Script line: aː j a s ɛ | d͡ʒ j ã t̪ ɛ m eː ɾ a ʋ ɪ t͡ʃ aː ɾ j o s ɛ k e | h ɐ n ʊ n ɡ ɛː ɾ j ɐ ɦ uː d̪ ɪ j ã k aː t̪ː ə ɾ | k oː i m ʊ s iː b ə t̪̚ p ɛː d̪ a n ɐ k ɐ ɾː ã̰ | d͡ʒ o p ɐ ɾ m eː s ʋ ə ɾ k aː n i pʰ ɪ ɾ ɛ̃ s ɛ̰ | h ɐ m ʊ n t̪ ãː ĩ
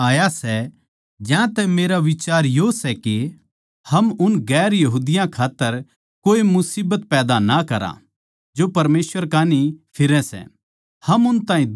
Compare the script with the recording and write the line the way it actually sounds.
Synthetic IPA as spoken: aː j a s ɛ | d͡ʒ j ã t̪ ɛ m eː ɾ a ʋ ɪ t͡ʃ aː ɾ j o s ɛ k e | h ɐ m ʊ n ɡ ɛː ɾ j ɐ ɦ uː d̪ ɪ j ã kʰ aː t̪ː ə ɾ | k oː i m ʊ s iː b ə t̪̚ p ɛː d̪ a n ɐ k ɐ ɾ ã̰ | d͡ʒ o p ɐ ɾ m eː s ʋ ə ɾ k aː n i pʰ ɪ ɾ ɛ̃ s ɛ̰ | h ɐ m ʊ n t̪ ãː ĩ

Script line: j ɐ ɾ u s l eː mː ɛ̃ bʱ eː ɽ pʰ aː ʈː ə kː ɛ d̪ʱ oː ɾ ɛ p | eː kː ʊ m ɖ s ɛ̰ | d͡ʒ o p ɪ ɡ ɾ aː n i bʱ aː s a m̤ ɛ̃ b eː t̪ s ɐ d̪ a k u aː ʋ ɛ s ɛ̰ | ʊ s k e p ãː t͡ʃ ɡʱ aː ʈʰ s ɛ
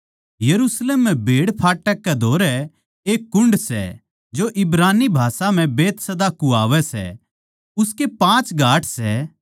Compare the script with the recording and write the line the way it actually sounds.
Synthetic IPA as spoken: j ɐ ɾ u s l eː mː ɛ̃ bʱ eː ɽ pʰ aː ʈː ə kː ɛ d̪ʱ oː ɾ ɛ | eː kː ʊ ɳ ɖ s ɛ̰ | d͡ʒ o ʔ ɪ b ɾ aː n i bʱ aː s a m̤ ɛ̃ b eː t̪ s ɐ d̪ a k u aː ʋ ɛ s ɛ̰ | ʊ s k e p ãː t͡ʃ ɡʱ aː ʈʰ s ɛ

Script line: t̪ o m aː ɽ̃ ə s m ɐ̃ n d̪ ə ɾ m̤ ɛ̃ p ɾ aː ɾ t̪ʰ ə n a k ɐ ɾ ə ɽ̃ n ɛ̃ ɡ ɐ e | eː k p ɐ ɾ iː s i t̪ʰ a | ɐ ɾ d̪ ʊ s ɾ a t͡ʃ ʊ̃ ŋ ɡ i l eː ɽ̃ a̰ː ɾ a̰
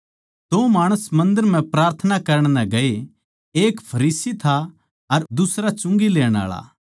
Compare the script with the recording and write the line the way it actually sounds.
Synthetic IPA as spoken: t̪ o m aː ɽ̃ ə s m ɐ̃ n d̪ ə ɾ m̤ ɛ̃ p ɾ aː ɾ t̪ʰ ə n a k ɐ ɾ ə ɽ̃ n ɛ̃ ɡ ɐ e | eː k pʰ ɐ ɾ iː s i t̪ʰ a | ɐ ɾ d̪ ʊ s ɾ a t͡ʃ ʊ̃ ŋ ɡ i l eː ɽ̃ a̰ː ɭ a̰

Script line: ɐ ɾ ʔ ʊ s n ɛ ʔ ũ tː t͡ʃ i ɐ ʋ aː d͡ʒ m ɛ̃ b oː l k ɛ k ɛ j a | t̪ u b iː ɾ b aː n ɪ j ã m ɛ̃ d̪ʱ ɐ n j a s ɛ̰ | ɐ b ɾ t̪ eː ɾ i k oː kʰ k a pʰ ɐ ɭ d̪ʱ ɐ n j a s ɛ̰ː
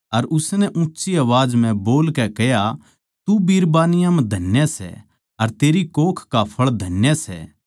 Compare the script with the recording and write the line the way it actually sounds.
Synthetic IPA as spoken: ɐ ɾ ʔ ʊ s n ɛ ʔ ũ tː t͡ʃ i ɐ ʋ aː d͡ʒ m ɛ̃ b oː l k ɛ k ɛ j a | t̪ u b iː ɾ b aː n ɪ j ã m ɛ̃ d̪ʱ ɐ n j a s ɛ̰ | ɐ ɾ t̪ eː ɾ i k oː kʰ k a pʰ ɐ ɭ d̪ʱ ɐ n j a s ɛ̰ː

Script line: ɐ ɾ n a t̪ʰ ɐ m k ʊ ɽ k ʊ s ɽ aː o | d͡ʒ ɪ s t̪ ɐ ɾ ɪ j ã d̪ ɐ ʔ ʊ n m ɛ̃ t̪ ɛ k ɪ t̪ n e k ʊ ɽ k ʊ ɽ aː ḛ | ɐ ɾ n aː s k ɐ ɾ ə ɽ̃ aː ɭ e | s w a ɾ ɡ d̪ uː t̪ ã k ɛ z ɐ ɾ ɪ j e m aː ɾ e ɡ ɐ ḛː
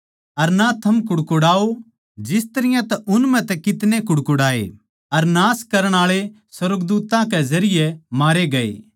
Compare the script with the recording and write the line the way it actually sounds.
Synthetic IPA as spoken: ɐ ɾ n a t̪ʰ ɐ m k ʊ ɽ k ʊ ɽ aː o | d͡ʒ ɪ s t̪ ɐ ɾ ɪ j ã t̪ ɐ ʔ ʊ n m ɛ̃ t̪ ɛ k ɪ t̪ n e k ʊ ɽ k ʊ ɽ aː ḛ | ɐ ɾ n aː s k ɐ ɾ ə ɽ̃ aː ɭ e | s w ɐ ɾ ɡ d̪ uː t̪ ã k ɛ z ɐ ɾ ɪ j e m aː ɾ e ɡ ɐ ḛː

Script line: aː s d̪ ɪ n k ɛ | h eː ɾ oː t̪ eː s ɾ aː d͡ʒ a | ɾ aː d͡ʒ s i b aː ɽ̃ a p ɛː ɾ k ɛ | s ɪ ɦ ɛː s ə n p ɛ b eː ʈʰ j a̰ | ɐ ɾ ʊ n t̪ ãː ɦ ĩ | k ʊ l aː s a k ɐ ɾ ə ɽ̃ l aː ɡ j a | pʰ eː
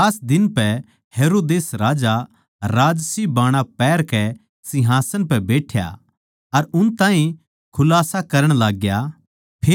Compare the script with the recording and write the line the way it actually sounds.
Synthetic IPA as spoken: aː s d̪ ɪ n p ɛ | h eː ɾ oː d̪ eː s ɾ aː d͡ʒ a | ɾ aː d͡ʒ s i b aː ɽ̃ a p ɛː ɾ k ɛ | s ɪ ɦ aː s ə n p ɛ b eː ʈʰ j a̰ | ɐ ɾ ʊ n t̪ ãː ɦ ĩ | kʰ ʊ l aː s a k ɐ ɾ ə ɽ̃ l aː ɡ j a | pʰ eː

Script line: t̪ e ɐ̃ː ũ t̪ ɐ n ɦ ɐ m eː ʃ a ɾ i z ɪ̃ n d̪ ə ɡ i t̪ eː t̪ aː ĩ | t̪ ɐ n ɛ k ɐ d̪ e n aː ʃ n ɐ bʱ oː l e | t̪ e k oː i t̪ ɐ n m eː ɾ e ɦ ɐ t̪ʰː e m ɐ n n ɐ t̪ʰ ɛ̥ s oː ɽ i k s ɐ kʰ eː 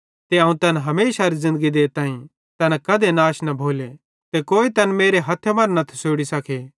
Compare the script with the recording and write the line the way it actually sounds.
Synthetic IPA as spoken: t̪ e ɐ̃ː ũ t̪ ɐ n ɦ ɐ m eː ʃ a ɾ i z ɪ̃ n d̪ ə ɡ i d̪ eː t̪ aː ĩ | t̪ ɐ n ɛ k ɐ d̪ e n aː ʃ n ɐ bʱ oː l e | t̪ e k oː i t̪ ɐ n m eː ɾ e ɦ ɐ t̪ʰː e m ɐ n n ɐ t̪ʰ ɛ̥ s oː ɽ i s ɐ kʰ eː

